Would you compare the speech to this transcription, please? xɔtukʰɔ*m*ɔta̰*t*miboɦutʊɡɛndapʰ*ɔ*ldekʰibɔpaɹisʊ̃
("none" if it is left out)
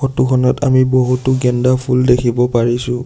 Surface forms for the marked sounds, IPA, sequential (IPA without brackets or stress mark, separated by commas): n, none, u